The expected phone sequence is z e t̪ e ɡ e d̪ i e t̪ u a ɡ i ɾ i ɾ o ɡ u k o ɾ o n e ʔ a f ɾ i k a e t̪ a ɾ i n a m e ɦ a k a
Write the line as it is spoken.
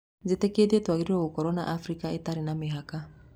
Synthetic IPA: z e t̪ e k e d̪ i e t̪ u a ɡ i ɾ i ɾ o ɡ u k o ɾ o n a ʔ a f ɾ i k a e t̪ a ɾ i n a m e ɦ a k a